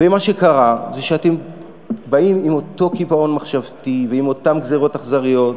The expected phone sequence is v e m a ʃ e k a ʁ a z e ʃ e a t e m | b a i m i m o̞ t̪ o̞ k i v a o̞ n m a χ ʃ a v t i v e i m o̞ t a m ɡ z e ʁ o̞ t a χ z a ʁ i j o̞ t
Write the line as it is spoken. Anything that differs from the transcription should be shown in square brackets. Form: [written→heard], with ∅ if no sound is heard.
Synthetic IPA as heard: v e m a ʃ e k a ʁ a z e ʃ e a t e m | b a i m i m o̞ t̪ o̞ k i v a o̞ n m a χ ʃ a v t i v e i m o̞ t a m ɡ z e ʁ o̞ t a χ z a ʁ i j o̞ t